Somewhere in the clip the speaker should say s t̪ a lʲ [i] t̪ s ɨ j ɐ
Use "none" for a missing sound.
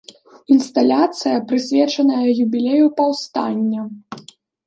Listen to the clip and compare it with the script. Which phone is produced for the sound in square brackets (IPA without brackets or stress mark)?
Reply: a